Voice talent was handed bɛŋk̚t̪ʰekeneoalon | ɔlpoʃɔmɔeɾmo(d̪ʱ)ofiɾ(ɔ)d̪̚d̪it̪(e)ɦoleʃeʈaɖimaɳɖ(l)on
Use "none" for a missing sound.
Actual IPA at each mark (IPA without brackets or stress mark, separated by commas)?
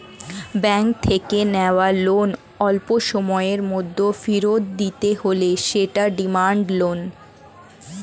d̪ʱː, o, e, l